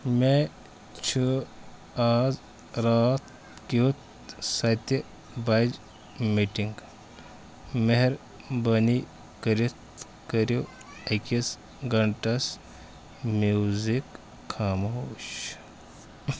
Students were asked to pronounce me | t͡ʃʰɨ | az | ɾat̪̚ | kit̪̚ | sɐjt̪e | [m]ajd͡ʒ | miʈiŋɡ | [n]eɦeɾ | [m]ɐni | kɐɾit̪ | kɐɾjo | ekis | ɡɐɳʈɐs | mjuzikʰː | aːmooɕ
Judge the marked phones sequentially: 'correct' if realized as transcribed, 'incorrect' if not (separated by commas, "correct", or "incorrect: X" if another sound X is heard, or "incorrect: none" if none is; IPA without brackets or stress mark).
incorrect: b, incorrect: m, incorrect: b